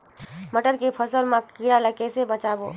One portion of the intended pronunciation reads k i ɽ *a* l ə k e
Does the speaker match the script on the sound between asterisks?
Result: yes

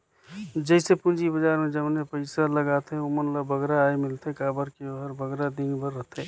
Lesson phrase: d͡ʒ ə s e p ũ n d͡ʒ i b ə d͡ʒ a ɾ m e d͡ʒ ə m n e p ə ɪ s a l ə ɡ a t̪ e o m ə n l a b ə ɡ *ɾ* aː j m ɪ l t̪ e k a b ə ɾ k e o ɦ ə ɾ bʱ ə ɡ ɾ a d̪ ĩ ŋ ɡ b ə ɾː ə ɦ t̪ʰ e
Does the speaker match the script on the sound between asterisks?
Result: yes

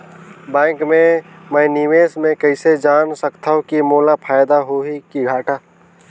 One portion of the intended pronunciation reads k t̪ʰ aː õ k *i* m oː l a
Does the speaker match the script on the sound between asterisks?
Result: yes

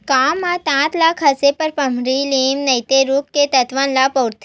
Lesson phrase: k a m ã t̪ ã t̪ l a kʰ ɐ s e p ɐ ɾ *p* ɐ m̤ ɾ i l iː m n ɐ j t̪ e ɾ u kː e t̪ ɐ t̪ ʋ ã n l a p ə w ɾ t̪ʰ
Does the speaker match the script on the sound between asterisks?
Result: yes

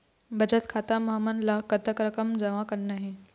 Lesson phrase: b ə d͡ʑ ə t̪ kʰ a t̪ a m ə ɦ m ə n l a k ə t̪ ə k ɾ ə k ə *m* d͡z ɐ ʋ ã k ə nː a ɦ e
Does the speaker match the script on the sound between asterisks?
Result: yes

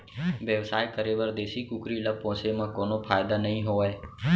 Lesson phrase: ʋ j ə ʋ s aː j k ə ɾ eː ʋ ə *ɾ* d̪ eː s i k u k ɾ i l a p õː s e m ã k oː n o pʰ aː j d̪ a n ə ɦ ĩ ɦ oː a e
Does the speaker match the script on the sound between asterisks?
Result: yes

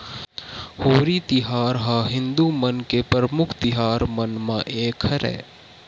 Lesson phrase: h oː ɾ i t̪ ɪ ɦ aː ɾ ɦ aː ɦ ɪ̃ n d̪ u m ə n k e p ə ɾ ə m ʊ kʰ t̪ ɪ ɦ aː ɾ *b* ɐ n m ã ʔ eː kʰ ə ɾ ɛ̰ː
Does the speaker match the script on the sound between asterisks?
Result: no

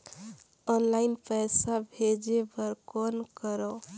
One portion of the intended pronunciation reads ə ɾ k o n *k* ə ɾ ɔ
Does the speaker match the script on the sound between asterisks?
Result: yes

